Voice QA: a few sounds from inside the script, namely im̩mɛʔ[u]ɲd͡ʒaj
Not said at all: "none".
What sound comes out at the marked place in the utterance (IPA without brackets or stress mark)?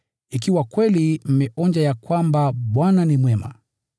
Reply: ɔ